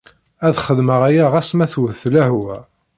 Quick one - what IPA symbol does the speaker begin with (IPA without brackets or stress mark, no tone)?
æ